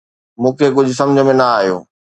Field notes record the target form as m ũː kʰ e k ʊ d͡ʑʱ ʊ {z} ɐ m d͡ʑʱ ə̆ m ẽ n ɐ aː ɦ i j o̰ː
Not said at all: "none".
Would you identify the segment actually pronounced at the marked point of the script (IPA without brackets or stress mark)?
s